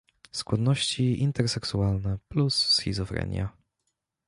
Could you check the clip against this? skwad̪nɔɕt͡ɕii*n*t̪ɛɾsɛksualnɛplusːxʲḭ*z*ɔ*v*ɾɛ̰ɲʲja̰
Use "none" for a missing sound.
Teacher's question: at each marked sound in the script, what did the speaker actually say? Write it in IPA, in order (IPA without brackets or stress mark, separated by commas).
n, z, f